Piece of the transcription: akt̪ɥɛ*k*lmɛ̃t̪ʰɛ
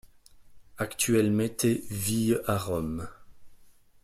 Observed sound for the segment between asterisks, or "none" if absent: none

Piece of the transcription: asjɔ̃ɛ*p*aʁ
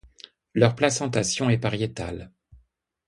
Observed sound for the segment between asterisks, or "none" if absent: p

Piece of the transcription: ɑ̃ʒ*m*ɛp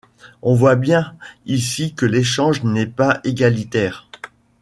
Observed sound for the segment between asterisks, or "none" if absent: n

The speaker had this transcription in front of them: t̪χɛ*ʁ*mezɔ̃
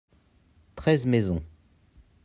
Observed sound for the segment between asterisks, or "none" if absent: z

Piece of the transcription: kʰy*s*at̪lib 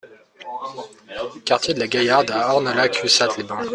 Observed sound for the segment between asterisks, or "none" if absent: s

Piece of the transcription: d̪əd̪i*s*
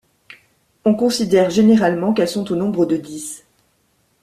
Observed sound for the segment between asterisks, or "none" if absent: s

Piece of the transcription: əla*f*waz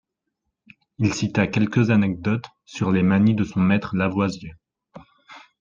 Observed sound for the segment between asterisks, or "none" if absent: v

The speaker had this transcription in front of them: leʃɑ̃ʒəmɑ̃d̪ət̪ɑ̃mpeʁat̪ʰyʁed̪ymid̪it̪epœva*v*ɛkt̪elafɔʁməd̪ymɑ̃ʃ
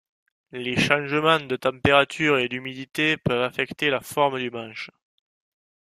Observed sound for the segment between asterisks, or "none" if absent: f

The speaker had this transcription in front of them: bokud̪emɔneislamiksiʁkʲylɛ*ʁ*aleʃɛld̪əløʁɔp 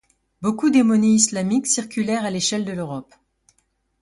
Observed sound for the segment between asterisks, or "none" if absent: ʁ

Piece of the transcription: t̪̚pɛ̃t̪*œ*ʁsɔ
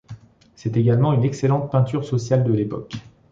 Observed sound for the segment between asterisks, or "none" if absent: y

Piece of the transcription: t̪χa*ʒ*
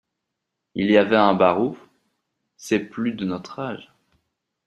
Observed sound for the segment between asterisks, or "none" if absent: ʒ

